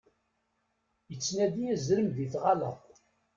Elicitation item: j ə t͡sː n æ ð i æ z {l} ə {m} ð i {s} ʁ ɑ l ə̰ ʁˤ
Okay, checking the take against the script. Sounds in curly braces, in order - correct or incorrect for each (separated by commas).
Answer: incorrect, correct, incorrect